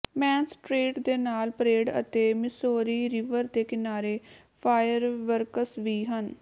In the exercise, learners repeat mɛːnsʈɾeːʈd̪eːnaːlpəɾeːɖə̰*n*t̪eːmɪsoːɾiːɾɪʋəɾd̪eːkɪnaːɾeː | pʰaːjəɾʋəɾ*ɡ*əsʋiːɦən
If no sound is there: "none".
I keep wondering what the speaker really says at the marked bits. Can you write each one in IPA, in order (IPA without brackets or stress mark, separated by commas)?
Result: none, k